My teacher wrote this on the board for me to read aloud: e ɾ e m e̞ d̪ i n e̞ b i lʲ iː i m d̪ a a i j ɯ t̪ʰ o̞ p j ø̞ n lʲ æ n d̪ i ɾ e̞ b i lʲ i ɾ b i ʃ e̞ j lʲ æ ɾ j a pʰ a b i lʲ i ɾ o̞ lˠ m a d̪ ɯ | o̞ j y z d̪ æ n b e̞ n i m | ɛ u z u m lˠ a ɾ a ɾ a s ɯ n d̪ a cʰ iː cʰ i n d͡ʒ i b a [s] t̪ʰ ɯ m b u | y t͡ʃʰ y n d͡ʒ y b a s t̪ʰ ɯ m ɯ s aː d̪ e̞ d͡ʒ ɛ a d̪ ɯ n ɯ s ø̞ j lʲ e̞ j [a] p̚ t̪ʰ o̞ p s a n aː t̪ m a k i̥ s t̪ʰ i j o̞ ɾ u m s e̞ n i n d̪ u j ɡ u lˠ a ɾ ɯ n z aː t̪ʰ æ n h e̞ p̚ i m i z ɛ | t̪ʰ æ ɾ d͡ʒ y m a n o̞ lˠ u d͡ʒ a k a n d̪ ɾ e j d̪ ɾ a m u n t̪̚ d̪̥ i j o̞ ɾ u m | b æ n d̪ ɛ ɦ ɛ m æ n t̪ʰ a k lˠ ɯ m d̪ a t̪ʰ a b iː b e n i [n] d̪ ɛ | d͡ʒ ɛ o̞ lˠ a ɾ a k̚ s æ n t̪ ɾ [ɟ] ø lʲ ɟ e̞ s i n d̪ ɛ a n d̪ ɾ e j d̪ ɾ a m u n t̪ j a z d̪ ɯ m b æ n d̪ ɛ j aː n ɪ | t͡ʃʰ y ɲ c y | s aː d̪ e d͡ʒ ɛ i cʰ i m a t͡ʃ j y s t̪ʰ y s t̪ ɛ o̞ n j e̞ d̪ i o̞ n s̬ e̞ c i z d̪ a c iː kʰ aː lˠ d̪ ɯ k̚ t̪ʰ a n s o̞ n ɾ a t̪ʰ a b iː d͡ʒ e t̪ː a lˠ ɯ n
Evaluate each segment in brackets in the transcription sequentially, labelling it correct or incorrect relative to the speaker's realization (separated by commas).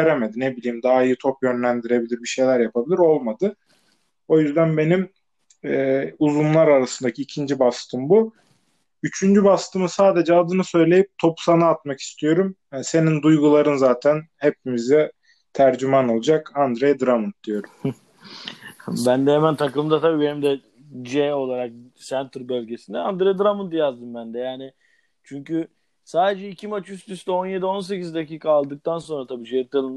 correct, incorrect, incorrect, incorrect